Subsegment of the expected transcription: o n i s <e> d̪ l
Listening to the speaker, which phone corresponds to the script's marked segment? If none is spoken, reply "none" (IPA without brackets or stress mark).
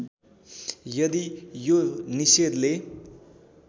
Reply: e